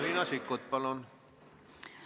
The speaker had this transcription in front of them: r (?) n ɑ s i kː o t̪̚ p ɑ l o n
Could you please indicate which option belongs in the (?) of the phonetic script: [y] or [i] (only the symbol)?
i